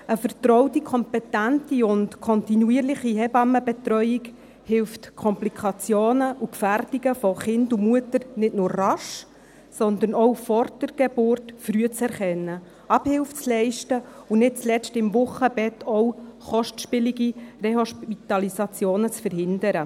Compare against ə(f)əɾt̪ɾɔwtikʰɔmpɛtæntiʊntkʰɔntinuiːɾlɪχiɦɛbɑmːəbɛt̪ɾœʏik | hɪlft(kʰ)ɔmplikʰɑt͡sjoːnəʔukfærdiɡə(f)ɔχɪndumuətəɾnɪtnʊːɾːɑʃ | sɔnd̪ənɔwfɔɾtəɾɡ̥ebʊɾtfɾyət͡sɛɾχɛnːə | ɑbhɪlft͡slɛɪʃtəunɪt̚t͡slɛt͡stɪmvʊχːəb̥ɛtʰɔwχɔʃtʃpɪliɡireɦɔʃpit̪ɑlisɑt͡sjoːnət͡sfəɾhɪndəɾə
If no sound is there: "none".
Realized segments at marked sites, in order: f, kʰ, f

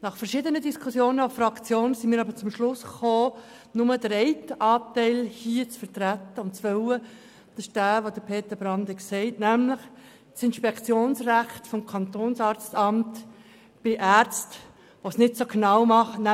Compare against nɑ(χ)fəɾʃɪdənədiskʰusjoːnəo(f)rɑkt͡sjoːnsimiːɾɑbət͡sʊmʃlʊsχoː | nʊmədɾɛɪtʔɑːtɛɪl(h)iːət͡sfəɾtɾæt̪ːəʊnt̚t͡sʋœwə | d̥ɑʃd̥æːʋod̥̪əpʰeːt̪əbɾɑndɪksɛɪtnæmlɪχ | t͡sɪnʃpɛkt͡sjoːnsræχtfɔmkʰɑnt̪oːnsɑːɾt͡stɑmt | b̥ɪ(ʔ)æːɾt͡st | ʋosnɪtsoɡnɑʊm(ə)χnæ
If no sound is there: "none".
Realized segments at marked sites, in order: χ, f, h, ʔ, ɑ

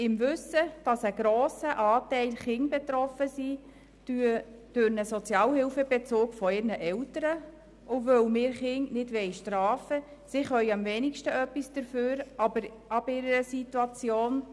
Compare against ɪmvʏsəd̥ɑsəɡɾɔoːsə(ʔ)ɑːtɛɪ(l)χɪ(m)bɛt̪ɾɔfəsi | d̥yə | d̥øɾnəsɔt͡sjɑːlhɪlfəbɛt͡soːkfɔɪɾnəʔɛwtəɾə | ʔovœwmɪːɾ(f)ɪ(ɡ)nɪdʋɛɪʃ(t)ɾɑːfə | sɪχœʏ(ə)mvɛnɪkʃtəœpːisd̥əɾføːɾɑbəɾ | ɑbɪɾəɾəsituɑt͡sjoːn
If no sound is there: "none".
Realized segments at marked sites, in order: ʔ, l, ŋ, χ, ŋ, t, ɑ

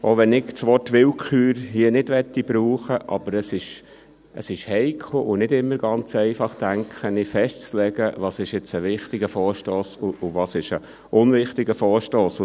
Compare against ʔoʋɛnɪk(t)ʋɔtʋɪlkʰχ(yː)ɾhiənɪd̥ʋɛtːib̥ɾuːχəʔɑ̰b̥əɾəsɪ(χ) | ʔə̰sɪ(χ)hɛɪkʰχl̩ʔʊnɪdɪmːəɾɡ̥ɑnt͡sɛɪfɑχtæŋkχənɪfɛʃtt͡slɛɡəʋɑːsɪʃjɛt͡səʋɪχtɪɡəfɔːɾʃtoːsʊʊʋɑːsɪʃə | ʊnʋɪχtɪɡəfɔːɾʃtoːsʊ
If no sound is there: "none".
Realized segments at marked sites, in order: t͡s, yː, ʃ, ʃ

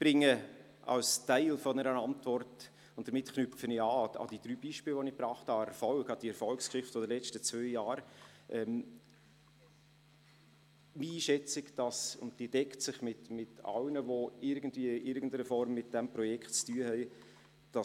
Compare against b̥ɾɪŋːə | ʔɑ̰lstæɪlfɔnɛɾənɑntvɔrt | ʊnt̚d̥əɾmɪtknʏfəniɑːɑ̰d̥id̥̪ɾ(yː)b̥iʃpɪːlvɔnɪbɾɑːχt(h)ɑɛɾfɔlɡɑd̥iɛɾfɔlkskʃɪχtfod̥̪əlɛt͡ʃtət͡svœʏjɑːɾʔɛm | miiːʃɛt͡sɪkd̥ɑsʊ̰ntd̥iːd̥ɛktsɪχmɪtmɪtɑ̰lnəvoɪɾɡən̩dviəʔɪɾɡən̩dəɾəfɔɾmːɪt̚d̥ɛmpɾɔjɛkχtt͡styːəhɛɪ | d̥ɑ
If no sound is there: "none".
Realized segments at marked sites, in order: yː, h

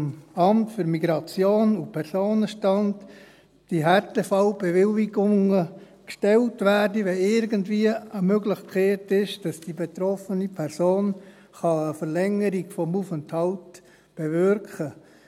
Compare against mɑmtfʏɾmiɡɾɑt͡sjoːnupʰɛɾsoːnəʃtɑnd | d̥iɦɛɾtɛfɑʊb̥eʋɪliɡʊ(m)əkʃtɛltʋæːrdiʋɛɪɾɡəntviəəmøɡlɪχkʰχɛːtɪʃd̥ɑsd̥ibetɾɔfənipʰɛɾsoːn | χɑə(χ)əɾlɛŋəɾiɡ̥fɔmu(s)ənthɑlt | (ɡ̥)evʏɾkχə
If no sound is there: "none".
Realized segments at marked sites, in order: ŋ, f, f, b̥

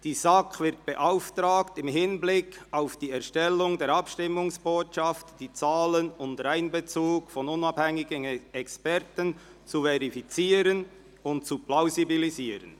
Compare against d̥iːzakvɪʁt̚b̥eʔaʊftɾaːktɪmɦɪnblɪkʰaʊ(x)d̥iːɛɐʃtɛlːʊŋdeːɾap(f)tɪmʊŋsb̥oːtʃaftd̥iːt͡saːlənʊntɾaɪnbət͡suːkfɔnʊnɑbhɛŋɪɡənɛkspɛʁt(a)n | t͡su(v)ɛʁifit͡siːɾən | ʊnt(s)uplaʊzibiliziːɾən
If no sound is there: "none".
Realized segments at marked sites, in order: f, ʃ, ə, v, t͡s

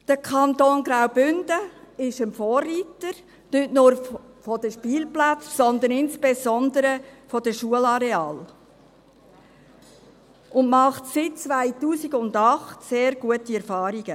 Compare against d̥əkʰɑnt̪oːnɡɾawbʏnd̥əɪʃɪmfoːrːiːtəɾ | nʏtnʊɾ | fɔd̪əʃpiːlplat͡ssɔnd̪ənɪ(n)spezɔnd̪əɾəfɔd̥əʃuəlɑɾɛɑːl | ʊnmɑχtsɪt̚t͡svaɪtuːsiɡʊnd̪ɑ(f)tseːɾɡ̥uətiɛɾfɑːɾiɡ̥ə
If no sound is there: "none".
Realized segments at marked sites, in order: n, χ

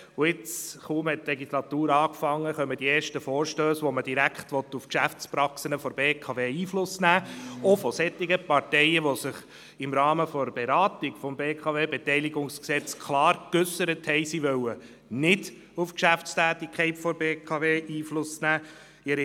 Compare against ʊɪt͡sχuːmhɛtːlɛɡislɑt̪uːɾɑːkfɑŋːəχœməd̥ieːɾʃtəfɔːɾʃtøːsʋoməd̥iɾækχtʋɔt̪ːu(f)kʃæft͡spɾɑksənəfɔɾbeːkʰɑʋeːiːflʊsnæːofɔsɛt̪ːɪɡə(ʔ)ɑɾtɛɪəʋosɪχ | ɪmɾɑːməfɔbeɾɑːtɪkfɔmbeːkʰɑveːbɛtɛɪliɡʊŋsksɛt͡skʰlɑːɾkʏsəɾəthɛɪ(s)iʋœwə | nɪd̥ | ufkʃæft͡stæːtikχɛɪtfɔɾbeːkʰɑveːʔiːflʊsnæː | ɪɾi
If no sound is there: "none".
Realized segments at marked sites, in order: f, p, s

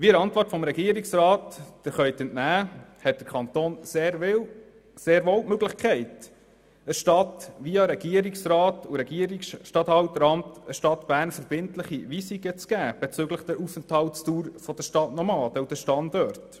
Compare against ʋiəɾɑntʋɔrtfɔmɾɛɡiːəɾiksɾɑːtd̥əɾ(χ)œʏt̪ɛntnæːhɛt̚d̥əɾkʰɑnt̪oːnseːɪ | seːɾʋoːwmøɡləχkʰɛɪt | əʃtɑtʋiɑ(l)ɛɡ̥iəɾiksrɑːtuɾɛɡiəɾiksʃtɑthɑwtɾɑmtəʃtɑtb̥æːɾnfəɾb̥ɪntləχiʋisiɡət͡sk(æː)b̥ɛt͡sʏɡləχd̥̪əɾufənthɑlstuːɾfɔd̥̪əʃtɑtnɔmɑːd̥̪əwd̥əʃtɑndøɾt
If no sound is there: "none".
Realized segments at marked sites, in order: χ, ɾ, æː

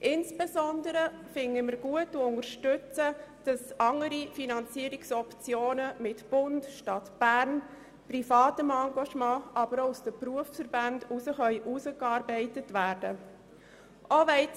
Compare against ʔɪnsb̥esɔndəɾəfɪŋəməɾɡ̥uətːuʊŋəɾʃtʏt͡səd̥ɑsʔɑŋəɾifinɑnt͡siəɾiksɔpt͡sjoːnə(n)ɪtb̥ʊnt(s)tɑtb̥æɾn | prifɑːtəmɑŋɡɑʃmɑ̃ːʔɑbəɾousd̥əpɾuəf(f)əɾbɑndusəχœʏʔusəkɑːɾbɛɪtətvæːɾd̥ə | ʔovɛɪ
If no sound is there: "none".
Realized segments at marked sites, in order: m, ʃ, f

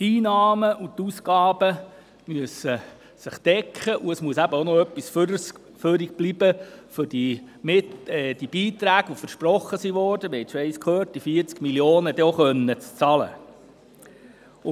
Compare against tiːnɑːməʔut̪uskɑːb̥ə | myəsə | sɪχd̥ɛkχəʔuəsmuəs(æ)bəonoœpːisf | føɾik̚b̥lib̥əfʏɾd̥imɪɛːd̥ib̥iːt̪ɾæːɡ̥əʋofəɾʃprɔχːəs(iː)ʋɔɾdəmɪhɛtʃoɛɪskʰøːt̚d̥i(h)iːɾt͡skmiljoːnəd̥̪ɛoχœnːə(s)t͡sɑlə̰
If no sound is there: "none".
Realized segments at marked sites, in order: æ, i, f, t͡s

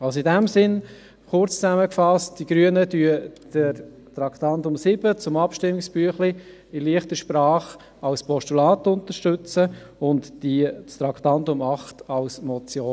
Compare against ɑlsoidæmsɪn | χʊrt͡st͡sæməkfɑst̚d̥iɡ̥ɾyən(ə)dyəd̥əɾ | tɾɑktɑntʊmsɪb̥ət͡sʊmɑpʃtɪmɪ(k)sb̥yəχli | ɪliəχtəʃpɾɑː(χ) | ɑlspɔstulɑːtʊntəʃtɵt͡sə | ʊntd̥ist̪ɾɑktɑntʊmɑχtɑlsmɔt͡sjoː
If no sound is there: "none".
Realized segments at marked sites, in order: ə, k, χ

